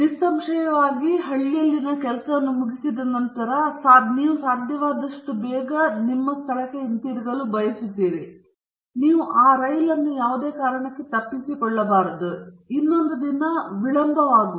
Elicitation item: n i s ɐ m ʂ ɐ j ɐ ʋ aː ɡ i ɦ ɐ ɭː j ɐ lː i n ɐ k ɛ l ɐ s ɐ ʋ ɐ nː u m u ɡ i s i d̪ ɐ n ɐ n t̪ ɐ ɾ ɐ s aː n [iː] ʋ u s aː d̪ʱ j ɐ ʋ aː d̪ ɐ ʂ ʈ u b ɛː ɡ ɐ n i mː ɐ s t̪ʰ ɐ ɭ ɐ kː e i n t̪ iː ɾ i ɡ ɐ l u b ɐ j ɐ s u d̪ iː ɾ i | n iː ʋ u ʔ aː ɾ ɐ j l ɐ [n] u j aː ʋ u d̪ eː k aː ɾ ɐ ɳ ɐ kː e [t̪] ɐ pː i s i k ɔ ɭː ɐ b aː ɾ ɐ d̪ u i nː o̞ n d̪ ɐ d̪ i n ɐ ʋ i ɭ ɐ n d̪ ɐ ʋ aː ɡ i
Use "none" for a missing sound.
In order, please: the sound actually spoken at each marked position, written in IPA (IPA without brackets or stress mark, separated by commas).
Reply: iː, nː, t̪